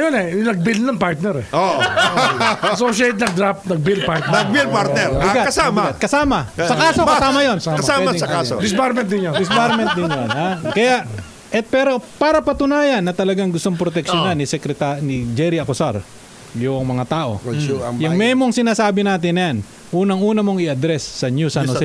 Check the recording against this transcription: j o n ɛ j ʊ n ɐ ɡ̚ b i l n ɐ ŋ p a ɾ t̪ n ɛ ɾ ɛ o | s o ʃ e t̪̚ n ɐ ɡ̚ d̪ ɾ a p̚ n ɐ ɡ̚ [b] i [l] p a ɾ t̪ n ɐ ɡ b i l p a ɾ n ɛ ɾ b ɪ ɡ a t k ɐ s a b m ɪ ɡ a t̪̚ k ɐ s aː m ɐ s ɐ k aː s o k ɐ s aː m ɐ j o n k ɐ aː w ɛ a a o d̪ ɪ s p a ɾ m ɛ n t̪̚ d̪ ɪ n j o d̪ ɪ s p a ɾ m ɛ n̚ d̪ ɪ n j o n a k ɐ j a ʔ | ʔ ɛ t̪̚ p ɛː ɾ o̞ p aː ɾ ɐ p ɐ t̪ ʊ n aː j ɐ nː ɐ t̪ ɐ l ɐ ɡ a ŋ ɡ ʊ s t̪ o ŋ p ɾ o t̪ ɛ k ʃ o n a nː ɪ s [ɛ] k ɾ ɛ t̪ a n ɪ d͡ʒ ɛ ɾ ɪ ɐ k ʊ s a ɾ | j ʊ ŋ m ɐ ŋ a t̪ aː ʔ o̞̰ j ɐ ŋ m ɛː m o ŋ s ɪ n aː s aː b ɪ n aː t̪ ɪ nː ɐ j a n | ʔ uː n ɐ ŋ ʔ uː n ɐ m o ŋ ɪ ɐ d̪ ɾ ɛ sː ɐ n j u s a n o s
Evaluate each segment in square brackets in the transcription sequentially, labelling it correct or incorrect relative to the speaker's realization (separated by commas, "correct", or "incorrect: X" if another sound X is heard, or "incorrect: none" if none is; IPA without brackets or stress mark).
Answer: correct, correct, correct